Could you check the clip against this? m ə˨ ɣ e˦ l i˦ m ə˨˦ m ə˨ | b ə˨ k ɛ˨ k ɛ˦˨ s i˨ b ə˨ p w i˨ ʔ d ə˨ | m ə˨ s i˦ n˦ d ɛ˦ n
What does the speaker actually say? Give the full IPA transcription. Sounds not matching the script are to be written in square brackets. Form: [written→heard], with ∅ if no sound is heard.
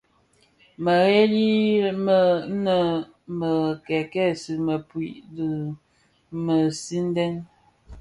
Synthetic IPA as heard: m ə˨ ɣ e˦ l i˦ m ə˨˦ [m→n] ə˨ | [b→m] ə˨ k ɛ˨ k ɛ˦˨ s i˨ [b→m] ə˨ p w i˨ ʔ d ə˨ | m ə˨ s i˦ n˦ d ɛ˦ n